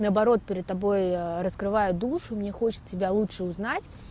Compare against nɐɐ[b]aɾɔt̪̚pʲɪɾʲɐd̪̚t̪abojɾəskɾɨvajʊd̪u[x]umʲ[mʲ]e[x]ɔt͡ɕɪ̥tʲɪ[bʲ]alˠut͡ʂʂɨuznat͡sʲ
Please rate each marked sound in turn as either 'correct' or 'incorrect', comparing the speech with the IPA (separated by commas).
correct, incorrect, incorrect, correct, correct